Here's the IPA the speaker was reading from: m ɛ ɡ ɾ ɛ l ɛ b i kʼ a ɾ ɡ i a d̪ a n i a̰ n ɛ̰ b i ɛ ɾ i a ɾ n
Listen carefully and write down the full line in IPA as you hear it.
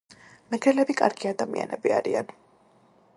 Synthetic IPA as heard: m ɛ ɡ ɾ ɛ l ɛ b i kʼ a ɾ ɡ i a d̪ a m i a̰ n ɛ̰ b i a ɾ i a n